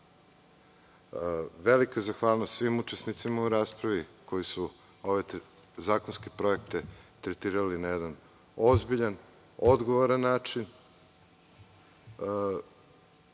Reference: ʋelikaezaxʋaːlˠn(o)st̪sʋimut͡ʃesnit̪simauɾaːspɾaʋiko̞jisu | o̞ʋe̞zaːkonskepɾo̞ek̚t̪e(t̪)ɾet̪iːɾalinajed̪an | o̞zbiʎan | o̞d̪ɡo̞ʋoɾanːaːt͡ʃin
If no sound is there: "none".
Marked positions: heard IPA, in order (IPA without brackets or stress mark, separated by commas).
o, t̪